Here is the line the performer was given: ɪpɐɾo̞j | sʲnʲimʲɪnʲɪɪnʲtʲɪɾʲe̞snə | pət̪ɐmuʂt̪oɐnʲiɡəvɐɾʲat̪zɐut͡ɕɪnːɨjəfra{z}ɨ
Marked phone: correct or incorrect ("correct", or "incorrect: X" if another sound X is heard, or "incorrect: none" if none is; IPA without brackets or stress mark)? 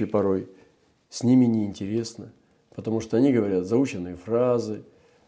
correct